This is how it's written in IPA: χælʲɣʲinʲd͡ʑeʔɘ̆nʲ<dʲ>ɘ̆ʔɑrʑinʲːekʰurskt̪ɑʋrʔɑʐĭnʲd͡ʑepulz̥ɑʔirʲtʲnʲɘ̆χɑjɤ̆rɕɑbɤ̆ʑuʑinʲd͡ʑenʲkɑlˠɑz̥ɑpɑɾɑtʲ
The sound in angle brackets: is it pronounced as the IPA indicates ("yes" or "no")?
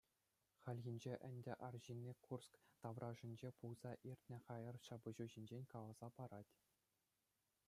yes